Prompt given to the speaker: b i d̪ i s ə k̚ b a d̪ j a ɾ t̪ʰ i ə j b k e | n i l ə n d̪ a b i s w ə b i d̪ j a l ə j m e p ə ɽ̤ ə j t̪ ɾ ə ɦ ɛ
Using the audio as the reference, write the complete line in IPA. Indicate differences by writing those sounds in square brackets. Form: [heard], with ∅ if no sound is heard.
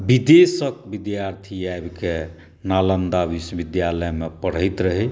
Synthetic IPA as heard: b i d̪ [e] s ə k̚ b [i] d̪ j a ɾ t̪ʰ i [a] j b k e | n [a] l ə n d̪ a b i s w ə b i d̪ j a l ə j m e p ə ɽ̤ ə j t̪ ɾ ə ɦ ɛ